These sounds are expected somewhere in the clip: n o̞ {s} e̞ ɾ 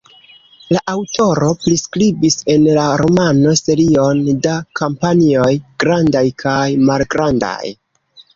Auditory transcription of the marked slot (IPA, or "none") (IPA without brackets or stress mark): s